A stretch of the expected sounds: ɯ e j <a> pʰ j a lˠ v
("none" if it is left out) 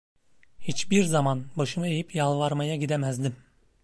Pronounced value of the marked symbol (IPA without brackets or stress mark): i